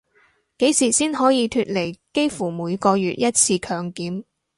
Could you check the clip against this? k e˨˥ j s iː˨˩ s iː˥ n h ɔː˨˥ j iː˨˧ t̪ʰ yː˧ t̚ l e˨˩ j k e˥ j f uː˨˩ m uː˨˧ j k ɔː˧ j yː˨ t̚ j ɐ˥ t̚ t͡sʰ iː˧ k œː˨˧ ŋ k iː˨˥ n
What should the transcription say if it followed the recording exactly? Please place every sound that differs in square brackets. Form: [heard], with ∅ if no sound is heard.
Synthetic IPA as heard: k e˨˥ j s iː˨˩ s iː˥ n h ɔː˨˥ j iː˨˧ t̪ʰ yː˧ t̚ l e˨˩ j k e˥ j f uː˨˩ m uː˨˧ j k ɔː˧ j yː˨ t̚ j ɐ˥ t̚ t͡sʰ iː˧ [kʰ] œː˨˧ ŋ k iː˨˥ [m]

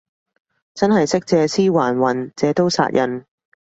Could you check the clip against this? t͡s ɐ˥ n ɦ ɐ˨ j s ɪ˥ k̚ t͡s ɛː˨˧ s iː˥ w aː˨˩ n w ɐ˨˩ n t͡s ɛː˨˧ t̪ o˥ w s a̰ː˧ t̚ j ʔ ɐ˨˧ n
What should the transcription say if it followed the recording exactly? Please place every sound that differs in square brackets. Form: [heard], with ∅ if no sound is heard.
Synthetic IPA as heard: t͡s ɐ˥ n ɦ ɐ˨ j s ɪ˥ k̚ t͡s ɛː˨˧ s iː˥ w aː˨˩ n w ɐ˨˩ n t͡s ɛː˨˧ t̪ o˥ w s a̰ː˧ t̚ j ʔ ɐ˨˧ n

